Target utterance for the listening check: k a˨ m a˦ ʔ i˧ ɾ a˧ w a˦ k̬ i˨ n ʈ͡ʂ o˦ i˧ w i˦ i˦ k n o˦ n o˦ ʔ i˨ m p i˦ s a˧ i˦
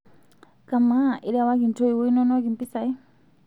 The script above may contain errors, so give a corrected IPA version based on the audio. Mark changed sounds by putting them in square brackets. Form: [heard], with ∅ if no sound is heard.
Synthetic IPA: k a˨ m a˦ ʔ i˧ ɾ a˧ w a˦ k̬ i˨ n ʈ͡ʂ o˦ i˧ w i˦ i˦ [∅] n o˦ n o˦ [k] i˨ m p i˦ s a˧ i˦